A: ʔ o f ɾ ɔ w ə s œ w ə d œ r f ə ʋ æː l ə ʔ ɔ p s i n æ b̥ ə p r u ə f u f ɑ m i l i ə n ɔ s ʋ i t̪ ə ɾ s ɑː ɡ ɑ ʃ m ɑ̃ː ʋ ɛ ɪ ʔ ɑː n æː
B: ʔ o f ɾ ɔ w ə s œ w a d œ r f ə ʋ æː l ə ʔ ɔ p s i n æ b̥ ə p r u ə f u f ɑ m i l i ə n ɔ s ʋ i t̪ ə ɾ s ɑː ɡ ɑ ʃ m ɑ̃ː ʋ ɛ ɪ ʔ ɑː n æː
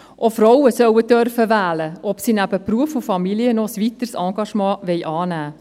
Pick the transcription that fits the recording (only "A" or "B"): A